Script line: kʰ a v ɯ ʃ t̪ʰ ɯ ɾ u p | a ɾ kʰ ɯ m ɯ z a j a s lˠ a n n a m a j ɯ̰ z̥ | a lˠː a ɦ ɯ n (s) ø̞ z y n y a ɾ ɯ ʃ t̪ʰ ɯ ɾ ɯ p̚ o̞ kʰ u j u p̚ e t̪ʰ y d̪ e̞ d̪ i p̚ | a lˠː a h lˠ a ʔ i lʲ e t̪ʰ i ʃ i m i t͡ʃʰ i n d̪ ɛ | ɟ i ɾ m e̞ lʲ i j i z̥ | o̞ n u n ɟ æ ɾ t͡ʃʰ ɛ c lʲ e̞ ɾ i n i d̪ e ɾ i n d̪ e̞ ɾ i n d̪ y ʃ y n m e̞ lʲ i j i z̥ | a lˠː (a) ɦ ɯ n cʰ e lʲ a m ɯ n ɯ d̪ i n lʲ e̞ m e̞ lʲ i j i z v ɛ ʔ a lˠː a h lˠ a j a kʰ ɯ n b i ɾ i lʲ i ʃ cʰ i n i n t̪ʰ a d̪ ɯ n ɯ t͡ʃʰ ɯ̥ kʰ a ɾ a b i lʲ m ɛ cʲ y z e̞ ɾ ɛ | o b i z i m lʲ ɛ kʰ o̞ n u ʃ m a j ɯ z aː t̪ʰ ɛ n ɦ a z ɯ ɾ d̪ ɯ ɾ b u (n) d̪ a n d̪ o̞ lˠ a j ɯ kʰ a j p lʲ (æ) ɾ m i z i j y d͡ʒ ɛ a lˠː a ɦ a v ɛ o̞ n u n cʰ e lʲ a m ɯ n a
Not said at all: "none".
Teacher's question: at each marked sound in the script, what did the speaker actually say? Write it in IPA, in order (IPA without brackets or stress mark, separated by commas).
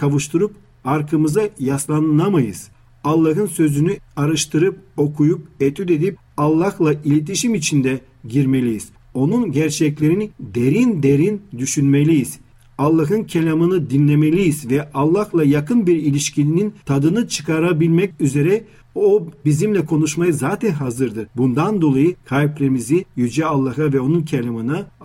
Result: s, a, n, e